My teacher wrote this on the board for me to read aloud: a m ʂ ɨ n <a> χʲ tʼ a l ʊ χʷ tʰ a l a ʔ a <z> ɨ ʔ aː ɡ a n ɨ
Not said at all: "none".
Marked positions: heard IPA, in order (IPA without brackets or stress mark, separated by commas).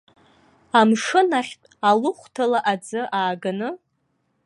a, d͡z